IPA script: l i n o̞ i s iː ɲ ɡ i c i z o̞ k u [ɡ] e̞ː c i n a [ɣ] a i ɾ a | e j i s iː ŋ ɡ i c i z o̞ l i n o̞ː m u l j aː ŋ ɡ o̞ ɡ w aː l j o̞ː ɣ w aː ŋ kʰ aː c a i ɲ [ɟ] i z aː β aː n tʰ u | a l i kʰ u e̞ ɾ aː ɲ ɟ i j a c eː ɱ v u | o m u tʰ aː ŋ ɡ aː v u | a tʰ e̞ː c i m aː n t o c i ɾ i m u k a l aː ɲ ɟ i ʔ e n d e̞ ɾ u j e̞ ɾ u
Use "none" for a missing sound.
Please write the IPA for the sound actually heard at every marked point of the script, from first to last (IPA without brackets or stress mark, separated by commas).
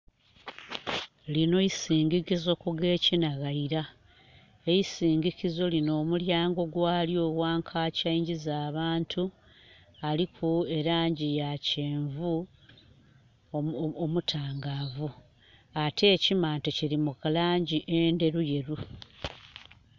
ɡ, ɣ, ɟ